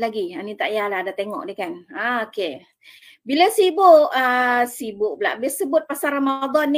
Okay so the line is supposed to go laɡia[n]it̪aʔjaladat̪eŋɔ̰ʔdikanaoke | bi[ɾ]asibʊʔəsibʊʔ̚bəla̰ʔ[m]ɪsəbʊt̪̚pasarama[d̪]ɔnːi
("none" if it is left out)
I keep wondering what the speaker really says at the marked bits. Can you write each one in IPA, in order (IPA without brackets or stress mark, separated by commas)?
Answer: n, l, b, d̪